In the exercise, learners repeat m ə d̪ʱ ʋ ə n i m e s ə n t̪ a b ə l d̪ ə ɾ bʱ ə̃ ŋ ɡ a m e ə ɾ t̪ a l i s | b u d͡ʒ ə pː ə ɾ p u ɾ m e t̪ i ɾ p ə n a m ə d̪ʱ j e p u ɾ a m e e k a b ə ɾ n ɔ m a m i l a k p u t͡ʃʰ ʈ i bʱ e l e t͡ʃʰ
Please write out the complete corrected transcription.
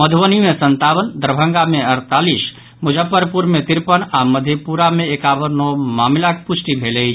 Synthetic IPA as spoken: m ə d̪ʱ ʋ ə n i m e s ə n t̪ a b ə l d̪ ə ɾ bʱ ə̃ ŋ ɡ a m e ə ɾ t̪ a l i s | m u d͡ʒ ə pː ə ɾ p u ɾ m e t̪ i ɾ p ə n a m ə d̪ʱ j e p u ɾ a m e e k a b ə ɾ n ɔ m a m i l a k p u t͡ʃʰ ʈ i bʱ e l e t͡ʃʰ